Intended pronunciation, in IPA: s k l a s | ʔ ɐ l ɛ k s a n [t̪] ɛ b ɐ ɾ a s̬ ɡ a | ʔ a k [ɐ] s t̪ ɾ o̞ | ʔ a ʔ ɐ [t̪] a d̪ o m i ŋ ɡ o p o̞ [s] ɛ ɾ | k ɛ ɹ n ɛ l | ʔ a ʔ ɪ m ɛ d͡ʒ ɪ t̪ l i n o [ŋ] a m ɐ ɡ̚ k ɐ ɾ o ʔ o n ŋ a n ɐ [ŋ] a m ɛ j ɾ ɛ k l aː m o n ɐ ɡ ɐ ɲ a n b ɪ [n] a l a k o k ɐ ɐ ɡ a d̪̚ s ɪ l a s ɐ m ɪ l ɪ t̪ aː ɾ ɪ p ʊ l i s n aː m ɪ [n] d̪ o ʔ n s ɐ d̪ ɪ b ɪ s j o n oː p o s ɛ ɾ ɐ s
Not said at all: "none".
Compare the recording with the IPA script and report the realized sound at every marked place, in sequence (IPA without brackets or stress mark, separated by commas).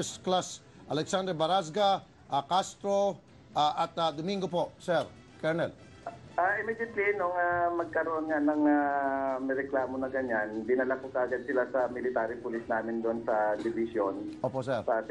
d̪, a, t̪, s, ŋ, ŋ, n, n